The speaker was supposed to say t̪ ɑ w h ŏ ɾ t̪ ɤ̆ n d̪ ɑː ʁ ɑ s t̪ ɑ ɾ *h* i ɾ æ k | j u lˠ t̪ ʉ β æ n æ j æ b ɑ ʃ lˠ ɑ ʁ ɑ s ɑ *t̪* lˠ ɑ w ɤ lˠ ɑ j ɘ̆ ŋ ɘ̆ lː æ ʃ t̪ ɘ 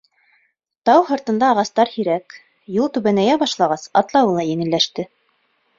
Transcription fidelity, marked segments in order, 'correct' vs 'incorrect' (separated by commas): correct, correct